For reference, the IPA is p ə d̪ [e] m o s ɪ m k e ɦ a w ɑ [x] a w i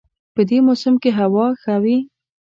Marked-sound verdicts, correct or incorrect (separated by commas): correct, correct